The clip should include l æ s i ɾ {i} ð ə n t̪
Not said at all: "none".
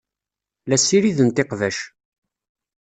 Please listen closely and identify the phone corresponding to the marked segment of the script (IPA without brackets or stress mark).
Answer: i